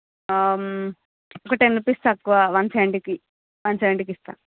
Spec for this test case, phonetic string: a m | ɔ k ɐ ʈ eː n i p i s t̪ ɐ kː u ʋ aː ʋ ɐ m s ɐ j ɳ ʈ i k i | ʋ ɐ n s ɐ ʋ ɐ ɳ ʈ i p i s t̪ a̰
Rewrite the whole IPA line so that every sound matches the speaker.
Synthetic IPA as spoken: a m | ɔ k ɐ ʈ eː n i p i s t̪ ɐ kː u ʋ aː ʋ ɐ n s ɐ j ɳ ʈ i k i | ʋ ɐ n s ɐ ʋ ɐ ɳ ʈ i k i s t̪ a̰